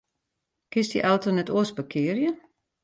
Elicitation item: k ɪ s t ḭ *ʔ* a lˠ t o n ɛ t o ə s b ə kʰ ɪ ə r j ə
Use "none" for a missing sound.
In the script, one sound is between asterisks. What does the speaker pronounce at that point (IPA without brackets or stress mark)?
ʔ